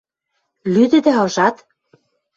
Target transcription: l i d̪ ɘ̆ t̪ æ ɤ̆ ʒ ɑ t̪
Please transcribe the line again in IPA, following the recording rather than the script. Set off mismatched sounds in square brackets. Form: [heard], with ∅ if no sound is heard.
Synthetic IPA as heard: l [y] d̪ ɘ̆ [d̪] æ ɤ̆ ʒ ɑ t̪